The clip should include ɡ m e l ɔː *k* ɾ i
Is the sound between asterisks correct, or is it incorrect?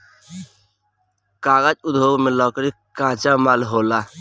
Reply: correct